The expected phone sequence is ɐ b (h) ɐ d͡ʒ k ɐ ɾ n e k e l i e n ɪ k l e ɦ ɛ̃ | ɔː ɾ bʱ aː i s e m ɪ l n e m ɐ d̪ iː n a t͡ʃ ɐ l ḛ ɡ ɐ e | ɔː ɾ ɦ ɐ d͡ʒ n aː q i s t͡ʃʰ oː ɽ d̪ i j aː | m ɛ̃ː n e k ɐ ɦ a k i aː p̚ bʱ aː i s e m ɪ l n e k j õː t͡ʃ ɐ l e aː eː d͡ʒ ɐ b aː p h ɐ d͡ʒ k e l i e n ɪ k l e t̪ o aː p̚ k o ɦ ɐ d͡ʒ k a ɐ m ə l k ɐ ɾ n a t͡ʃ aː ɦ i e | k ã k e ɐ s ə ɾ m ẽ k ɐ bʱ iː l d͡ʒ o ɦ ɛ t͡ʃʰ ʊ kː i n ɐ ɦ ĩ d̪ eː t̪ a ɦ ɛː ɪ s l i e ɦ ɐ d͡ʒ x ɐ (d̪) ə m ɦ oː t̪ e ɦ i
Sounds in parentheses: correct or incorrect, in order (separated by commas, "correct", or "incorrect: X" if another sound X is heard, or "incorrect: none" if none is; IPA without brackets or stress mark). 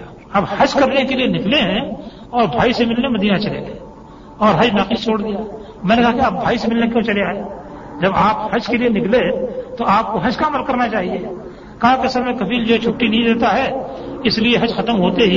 correct, incorrect: t̪